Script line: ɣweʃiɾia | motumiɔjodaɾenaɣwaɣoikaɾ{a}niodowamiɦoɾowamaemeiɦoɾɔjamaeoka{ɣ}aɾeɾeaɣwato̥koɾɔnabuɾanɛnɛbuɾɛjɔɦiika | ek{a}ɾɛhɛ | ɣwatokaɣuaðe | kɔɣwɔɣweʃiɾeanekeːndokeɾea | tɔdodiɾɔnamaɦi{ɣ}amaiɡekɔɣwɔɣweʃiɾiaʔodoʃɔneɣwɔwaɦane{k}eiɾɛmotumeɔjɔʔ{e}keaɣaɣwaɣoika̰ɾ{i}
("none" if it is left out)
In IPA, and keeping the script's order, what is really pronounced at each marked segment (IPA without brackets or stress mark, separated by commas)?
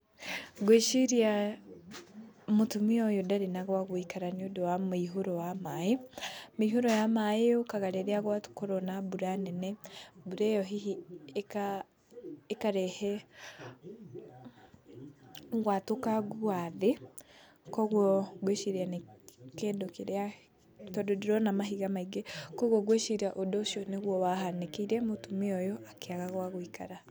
a, ɣ, a, ɣ, k, a, a